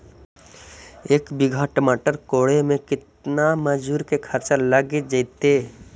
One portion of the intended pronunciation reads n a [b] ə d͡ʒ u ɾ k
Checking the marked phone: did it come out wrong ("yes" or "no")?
yes